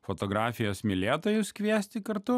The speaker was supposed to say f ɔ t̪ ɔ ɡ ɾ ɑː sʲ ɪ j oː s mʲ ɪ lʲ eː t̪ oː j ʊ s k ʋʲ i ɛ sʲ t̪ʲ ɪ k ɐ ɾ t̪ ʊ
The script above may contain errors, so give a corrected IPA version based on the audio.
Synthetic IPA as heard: f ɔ t̪ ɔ ɡ ɾ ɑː fʲ ɪ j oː s mʲ ɪ lʲ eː t̪ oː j ʊ s k ʋʲ i ɛ sʲ t̪ʲ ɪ k ɐ ɾ t̪ ʊ